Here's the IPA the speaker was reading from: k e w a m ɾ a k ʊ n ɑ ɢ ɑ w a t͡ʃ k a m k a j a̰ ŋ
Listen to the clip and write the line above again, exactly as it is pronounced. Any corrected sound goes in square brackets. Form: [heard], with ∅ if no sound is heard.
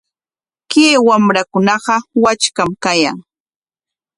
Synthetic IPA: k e w a m ɾ a k ʊ n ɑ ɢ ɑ w a t͡ʃ k a m k a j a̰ ŋ

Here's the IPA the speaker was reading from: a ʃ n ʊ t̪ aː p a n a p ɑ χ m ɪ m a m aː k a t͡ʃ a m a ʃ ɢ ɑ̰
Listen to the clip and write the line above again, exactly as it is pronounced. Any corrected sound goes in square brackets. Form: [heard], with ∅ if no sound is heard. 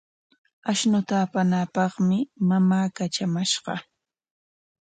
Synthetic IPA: a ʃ n ʊ t̪ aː p a n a p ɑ χ m ɪ m a m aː k a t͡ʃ a m a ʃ ɢ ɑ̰

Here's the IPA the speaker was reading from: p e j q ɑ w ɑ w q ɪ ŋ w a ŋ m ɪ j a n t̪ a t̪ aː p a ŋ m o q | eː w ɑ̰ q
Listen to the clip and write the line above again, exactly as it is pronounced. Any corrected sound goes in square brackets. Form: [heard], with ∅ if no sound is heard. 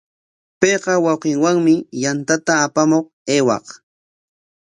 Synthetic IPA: p e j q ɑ w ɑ w q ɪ ŋ w a ŋ m ɪ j a n t̪ a t̪ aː p a [∅] m o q | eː w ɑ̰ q

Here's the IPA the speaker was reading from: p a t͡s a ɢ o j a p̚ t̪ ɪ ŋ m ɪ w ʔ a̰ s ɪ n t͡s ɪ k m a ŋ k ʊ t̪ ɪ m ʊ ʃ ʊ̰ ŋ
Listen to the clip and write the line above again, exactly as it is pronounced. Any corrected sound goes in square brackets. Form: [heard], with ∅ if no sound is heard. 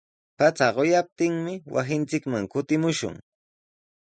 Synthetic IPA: p a t͡s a ɢ o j a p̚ t̪ ɪ ŋ m ɪ w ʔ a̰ s ɪ n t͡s ɪ k m a ŋ k ʊ t̪ ɪ m ʊ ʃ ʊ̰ ŋ

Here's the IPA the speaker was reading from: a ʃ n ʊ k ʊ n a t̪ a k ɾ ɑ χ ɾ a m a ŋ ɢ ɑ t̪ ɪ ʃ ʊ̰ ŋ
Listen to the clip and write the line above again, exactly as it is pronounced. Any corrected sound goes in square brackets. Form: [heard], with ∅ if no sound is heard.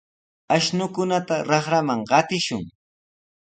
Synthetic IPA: a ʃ n ʊ k ʊ n a t̪ a [∅] ɾ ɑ χ ɾ a m a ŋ ɢ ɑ t̪ ɪ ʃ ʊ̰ ŋ

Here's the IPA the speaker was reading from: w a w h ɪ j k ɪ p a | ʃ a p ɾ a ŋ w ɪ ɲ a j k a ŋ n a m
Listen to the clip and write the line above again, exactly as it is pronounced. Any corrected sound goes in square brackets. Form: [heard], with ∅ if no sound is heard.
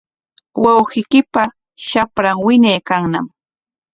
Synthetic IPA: w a w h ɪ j k ɪ p a | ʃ a p ɾ a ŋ w ɪ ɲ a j k a ŋ n a m

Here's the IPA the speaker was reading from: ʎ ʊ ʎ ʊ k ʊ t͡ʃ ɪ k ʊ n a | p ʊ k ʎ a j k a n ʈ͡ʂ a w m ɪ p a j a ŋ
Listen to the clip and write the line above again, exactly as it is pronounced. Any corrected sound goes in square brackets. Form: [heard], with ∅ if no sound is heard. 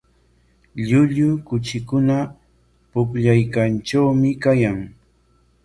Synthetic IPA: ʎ ʊ ʎ ʊ k ʊ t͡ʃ ɪ k ʊ n a | p ʊ k ʎ a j k a n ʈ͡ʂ a w m ɪ [k] a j a ŋ

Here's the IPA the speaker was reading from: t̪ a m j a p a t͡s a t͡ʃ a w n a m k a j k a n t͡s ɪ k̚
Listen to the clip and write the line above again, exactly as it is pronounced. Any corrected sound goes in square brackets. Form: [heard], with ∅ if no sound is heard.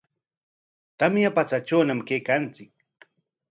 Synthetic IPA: t̪ a m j a p a t͡s a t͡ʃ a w n a m k [e] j k a n t͡s ɪ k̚

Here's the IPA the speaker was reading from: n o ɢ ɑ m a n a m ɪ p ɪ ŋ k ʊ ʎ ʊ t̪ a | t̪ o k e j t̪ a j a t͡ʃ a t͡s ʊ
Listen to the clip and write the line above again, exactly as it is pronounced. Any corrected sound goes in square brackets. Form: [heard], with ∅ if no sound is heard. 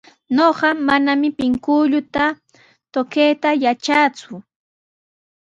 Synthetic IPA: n o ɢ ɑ m a n a m ɪ p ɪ ŋ k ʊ ʎ ʊ t̪ a | t̪ o k e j t̪ a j a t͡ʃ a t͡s ʊ

